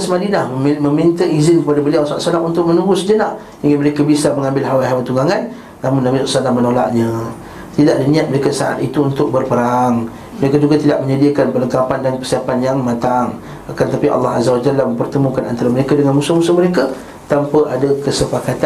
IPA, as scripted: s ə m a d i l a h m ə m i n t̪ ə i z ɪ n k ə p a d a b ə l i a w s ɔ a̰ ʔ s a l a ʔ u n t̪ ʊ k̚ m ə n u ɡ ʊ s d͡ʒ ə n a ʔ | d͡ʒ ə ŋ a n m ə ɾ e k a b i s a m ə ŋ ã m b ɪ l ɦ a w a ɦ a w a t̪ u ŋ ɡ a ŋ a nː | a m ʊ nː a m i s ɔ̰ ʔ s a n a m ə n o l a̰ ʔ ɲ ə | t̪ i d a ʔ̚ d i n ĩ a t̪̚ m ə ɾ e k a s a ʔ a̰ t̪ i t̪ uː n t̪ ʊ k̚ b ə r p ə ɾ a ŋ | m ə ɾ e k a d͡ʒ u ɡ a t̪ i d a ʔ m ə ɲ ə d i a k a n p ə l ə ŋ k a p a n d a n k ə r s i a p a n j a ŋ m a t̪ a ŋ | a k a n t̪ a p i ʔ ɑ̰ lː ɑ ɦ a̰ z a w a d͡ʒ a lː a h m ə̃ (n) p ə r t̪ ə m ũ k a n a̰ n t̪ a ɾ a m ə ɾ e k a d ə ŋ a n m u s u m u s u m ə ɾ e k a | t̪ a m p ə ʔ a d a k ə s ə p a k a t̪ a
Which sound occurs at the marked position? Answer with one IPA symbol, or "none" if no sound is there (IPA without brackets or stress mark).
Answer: m